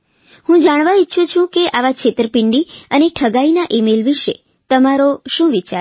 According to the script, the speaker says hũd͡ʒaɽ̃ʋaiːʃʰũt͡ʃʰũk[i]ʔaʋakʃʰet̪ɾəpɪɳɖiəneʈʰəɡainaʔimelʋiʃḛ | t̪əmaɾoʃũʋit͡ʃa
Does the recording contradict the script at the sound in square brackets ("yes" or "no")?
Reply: yes